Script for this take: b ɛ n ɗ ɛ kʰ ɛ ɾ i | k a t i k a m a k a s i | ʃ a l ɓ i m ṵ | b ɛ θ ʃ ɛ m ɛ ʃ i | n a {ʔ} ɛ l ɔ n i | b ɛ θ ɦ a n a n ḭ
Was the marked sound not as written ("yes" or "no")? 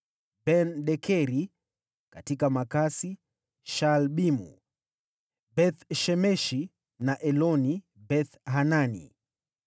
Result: no